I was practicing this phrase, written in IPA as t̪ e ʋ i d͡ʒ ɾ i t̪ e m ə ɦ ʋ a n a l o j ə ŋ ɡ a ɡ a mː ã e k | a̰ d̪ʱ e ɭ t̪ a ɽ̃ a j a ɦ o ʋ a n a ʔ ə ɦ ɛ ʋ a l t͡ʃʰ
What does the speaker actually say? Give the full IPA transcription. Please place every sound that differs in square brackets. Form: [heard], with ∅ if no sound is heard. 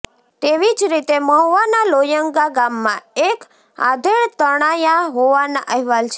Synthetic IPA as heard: t̪ e ʋ i d͡ʒ ɾ i t̪ e m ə ɦ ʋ a n a l o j ə ŋ ɡ a ɡ a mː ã e k | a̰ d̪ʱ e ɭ t̪ [ə] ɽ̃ a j a ɦ o ʋ a n a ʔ ə ɦ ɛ ʋ a l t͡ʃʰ